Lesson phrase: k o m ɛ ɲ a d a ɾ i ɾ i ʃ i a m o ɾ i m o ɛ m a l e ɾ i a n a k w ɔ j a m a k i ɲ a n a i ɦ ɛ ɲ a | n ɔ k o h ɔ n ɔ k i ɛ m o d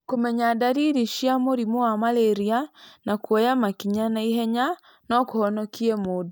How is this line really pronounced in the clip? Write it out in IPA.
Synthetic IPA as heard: k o m ɛ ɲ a d a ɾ i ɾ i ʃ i a m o ɾ i m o a m a l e ɾ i a n a k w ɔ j a m a k i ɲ a n a i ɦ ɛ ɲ a | n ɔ k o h ɔ n ɔ k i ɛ m o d